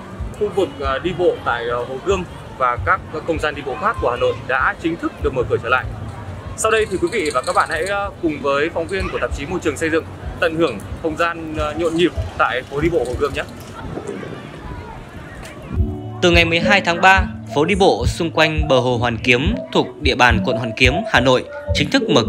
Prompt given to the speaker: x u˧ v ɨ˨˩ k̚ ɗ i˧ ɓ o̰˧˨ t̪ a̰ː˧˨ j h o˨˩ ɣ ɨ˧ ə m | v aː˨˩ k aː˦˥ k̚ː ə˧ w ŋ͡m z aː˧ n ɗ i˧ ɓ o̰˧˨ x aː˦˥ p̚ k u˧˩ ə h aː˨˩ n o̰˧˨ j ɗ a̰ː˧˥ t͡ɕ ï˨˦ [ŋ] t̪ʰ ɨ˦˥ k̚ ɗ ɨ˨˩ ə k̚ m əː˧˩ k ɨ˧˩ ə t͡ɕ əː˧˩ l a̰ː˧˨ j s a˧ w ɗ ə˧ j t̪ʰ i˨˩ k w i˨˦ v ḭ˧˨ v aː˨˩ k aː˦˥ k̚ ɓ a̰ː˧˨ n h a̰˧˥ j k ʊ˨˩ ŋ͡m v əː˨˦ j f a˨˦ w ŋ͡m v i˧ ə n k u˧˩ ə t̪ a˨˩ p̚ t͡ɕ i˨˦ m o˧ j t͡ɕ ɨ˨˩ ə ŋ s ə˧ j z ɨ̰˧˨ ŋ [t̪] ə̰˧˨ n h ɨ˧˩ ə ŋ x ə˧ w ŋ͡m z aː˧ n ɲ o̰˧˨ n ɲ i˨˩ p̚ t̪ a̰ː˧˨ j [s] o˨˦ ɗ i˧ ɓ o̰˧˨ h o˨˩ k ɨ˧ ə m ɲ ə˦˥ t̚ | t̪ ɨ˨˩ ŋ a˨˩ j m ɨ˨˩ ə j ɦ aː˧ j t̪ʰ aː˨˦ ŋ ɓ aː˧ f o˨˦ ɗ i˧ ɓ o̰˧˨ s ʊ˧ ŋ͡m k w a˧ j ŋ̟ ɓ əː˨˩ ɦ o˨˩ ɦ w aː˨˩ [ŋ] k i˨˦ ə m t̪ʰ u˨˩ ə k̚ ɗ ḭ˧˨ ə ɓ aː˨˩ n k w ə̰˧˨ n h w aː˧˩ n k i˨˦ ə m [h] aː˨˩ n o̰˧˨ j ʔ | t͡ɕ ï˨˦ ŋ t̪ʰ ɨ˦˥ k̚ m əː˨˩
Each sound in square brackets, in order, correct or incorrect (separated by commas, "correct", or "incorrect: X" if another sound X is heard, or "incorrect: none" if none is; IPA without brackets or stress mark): correct, correct, incorrect: f, incorrect: n, correct